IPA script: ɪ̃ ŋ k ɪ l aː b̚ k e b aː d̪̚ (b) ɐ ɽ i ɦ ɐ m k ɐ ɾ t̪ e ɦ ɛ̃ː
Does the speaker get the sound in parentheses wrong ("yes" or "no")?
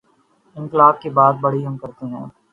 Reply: no